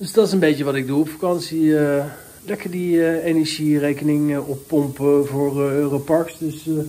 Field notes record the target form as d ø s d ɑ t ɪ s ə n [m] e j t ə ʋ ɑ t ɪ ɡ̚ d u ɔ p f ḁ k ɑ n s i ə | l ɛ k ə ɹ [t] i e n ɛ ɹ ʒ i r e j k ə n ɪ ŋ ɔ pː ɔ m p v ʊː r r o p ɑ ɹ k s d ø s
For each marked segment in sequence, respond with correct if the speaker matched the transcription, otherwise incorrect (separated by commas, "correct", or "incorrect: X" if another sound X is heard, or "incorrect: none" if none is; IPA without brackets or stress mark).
incorrect: b, incorrect: d